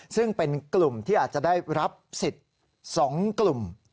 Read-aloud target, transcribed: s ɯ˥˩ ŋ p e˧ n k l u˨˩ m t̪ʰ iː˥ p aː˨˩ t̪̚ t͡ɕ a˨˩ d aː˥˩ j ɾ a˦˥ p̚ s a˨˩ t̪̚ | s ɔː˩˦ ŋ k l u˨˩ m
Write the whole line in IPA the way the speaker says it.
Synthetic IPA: s ɯ˥˩ ŋ p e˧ n k l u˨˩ m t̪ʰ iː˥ ʔ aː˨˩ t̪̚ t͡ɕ a˨˩ d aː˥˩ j ɾ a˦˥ p̚ s i˨˩ t̪̚ | s ɔː˩˦ ŋ k l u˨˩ m